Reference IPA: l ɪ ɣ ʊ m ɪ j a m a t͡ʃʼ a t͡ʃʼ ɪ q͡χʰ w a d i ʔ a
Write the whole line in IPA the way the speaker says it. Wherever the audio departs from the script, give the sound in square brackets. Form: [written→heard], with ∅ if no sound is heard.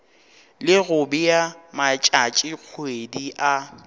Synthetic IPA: l ɪ ɣ ʊ [m→b] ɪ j a m a t͡ʃʼ a t͡ʃʼ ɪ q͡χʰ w [a→e] d i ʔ a